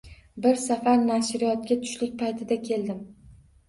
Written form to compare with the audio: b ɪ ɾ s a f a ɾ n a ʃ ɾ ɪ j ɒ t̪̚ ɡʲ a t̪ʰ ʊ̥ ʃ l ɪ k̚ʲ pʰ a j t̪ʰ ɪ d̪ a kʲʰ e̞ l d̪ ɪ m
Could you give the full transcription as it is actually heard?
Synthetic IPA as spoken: b ɪ ɾ s a f a ɾ n a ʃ ɾ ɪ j ɒ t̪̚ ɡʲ a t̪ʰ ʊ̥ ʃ l ɪ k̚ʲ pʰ a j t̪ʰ ɪ d̪ a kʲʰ e̞ l d̪ ɪ m